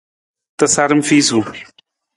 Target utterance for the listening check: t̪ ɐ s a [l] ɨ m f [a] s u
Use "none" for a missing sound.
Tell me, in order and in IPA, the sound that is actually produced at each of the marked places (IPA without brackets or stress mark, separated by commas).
ɾ, i